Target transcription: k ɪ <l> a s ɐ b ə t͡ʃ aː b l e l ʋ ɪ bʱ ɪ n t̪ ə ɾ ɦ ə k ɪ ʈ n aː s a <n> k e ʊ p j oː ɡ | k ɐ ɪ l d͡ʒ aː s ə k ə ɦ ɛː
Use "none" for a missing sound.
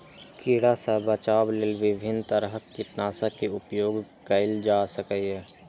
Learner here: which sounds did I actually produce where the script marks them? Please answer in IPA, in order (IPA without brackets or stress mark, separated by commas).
ɽ, none